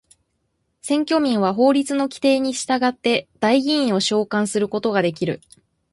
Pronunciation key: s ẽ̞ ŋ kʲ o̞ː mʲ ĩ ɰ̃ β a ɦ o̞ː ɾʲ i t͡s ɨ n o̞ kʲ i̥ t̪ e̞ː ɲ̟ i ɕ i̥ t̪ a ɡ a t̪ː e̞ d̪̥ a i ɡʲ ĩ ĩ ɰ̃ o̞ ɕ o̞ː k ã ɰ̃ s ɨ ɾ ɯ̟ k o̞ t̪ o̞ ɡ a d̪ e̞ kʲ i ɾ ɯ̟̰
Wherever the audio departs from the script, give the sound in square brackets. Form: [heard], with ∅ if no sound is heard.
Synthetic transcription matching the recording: s ẽ̞ ŋ kʲ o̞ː mʲ ĩ ɰ̃ β a ɦ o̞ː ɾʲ i t͡s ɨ n o̞ kʲ i̥ t̪ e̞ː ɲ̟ i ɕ i̥ t̪ a ɡ a t̪ː e̞ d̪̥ a i ɡʲ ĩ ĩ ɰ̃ o̞ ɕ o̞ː k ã ɰ̃ s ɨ ɾ ɯ̟ k o̞ t̪ o̞ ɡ a d̪ e̞ kʲ i ɾ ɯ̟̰